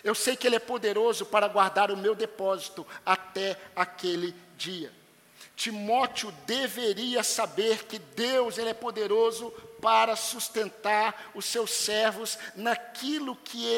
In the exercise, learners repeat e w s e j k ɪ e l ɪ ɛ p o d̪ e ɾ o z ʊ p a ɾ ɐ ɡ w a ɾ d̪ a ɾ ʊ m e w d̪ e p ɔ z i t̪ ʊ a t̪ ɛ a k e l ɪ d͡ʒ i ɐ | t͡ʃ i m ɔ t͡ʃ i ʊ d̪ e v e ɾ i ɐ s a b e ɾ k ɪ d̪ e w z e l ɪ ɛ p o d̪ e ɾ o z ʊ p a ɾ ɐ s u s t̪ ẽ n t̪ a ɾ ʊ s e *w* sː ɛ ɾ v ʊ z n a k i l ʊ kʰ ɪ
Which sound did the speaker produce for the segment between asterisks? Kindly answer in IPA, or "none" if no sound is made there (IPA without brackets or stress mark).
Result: w